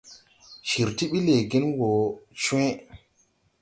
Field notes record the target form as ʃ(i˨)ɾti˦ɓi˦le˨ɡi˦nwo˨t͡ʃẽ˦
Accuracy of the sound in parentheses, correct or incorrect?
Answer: correct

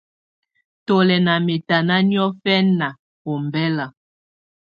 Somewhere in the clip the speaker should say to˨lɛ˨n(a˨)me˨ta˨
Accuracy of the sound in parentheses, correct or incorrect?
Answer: correct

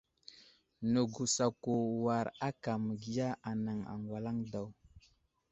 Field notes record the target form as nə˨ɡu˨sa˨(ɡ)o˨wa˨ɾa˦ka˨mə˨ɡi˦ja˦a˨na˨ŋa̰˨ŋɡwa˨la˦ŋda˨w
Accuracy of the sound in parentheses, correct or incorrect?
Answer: incorrect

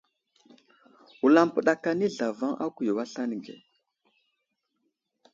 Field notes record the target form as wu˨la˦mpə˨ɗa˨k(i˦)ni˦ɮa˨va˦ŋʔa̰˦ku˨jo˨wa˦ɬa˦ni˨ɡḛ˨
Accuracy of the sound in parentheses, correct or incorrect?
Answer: incorrect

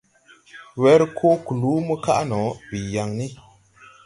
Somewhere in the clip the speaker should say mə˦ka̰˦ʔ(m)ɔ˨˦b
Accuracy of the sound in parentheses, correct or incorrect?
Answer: incorrect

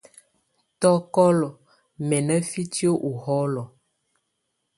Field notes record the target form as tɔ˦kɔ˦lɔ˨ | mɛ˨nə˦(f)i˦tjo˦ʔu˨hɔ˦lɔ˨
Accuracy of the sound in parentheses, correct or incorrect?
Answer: correct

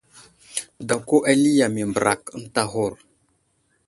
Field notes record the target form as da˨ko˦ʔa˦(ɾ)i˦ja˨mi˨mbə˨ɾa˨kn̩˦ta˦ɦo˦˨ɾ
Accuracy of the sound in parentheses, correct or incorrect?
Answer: incorrect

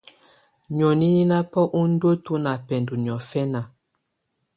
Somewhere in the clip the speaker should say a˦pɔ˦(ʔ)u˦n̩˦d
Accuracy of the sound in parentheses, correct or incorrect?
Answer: correct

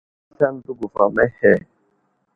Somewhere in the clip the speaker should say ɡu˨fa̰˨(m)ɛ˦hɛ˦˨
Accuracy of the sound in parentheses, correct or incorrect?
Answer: correct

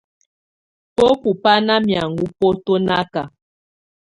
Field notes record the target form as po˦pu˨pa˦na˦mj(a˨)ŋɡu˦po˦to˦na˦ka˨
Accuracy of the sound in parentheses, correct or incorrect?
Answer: correct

